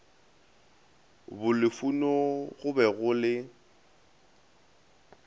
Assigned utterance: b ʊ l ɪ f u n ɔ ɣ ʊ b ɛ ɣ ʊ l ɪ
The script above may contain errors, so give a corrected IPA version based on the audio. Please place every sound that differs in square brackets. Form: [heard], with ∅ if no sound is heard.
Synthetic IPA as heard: b ʊ l ɪ f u n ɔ ɣ ʊ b ɛ ɣ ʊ l ɪ